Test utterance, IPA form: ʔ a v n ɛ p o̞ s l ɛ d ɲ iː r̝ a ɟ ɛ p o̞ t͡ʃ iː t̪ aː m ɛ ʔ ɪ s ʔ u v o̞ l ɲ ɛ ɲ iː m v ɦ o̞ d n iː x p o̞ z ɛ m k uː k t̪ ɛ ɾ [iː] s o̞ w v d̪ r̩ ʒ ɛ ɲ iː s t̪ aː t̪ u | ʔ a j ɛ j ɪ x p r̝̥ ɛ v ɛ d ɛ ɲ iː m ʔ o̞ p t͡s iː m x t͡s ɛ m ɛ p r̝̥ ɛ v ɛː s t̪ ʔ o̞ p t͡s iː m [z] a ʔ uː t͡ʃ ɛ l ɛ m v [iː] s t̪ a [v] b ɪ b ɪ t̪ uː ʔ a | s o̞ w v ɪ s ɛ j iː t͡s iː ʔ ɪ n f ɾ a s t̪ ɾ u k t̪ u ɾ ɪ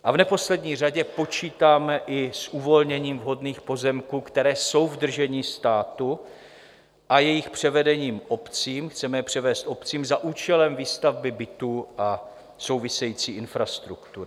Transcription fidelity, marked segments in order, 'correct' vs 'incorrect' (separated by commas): incorrect, correct, correct, correct